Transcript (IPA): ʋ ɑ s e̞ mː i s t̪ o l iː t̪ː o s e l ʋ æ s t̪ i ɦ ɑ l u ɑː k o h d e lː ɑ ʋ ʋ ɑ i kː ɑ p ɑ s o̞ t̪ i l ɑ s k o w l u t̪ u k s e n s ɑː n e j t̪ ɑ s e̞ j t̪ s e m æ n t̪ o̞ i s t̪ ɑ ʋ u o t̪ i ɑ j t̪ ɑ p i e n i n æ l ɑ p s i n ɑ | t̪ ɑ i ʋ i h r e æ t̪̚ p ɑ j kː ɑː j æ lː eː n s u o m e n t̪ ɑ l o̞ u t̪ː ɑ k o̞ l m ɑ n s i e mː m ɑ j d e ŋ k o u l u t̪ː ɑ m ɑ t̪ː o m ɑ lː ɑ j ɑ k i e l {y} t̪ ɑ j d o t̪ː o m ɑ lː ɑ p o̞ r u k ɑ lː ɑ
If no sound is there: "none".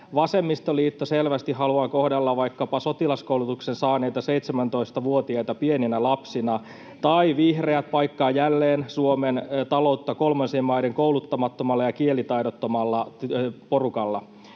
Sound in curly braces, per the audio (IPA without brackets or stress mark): i